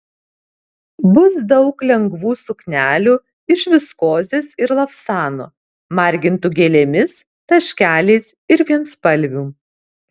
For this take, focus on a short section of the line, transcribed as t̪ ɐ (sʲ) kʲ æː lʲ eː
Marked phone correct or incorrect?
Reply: incorrect: ʃʲ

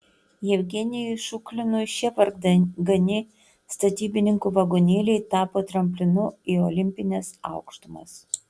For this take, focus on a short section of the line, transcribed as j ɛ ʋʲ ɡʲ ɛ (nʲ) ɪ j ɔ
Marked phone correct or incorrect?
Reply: correct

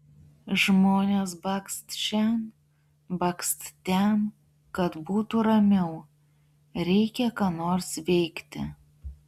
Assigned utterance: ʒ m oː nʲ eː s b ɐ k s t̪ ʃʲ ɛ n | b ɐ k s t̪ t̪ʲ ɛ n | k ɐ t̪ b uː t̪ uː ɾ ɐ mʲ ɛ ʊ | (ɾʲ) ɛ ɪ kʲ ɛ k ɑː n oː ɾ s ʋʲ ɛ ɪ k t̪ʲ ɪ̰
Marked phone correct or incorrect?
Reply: correct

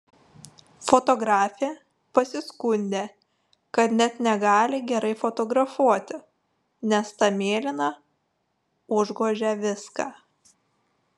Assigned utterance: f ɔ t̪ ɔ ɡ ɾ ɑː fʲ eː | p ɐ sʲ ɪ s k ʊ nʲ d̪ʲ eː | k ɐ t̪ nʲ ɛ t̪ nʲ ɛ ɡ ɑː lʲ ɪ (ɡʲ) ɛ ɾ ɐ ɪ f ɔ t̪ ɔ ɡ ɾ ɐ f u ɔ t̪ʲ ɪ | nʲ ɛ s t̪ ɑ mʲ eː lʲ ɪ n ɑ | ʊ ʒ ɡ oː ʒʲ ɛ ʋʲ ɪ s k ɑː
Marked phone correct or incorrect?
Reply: correct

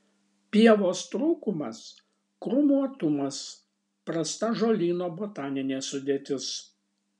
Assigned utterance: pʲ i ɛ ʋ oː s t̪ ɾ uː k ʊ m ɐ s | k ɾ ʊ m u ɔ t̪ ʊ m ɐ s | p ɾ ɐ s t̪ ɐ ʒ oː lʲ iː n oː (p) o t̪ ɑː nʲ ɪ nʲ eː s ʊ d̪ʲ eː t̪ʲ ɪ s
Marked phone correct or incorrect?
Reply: incorrect: b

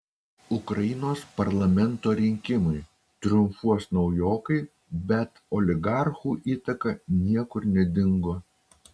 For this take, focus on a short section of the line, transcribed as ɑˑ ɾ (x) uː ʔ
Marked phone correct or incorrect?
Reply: correct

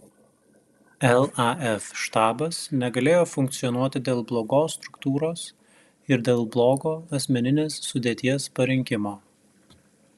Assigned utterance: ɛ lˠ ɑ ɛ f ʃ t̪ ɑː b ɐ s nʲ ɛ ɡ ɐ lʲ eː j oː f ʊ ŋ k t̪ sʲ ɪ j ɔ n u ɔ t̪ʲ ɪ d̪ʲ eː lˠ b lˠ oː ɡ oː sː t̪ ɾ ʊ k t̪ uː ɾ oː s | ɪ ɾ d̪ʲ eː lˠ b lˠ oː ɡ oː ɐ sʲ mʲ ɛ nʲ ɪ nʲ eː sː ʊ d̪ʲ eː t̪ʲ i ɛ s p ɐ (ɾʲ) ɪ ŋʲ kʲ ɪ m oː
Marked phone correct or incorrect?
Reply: correct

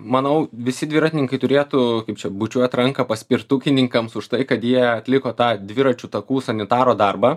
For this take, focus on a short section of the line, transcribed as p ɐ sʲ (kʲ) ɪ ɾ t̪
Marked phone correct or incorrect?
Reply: incorrect: pʲ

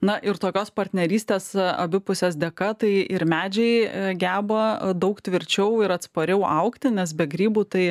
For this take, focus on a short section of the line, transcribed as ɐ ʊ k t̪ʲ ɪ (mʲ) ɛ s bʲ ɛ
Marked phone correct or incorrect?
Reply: incorrect: nʲ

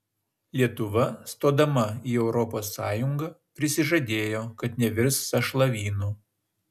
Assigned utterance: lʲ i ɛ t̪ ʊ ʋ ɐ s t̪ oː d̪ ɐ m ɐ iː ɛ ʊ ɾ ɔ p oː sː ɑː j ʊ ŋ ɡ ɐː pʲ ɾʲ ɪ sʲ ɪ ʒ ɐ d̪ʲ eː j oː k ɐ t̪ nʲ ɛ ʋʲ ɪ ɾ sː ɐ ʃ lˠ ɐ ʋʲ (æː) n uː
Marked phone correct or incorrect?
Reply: incorrect: iː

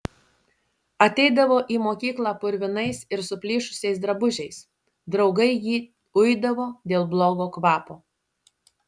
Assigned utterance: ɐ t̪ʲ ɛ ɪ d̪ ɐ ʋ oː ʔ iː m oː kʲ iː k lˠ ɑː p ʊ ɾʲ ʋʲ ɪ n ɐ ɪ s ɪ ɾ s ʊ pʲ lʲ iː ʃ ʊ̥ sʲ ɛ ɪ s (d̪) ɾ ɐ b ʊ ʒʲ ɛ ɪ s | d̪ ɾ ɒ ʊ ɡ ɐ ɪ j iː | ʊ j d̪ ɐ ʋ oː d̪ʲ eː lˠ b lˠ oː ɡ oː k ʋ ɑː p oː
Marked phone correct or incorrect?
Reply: correct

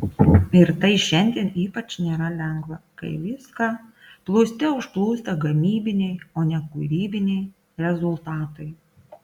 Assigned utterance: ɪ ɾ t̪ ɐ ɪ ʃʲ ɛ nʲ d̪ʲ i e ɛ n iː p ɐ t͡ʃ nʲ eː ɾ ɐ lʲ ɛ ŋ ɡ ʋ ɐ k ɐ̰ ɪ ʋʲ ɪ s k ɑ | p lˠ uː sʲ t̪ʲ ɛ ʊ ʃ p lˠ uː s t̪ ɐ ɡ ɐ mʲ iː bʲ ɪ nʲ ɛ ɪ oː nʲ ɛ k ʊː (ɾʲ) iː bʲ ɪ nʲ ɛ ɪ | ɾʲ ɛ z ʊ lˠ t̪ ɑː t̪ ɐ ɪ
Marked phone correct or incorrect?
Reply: correct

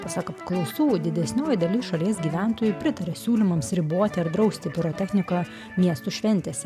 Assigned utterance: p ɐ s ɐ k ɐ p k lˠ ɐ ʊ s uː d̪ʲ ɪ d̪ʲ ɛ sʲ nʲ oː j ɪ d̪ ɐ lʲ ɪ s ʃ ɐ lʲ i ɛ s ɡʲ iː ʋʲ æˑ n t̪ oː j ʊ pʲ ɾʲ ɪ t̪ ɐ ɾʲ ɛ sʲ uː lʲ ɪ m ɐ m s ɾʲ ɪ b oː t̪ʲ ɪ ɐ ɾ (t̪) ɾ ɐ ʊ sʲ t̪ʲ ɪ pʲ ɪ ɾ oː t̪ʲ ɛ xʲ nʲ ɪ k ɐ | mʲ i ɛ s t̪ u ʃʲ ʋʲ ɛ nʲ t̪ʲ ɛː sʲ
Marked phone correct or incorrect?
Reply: incorrect: d̪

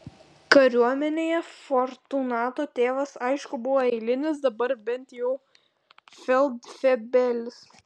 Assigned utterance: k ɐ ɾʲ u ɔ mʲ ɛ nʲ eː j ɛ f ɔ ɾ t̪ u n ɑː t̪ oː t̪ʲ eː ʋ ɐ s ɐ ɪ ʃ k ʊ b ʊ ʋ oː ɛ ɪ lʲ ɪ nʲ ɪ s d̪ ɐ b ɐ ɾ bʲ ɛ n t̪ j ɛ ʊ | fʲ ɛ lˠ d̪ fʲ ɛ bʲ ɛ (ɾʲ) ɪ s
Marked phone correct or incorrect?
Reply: incorrect: lʲ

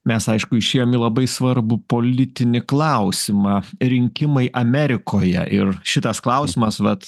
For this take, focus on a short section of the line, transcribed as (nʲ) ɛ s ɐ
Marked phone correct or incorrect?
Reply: incorrect: mʲ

